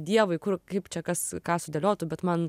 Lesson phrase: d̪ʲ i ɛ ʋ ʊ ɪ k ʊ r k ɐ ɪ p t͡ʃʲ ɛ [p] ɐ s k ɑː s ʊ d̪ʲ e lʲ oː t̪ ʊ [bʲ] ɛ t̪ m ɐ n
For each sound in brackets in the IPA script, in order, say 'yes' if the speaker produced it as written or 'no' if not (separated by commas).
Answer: no, yes